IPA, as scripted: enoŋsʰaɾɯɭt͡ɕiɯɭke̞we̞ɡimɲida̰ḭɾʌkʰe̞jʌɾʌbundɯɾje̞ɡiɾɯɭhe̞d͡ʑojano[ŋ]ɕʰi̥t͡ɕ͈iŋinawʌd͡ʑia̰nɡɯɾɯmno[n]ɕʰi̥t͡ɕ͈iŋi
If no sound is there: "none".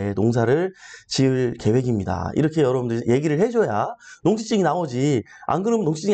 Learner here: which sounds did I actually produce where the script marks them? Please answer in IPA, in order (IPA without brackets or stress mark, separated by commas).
ŋ, ŋ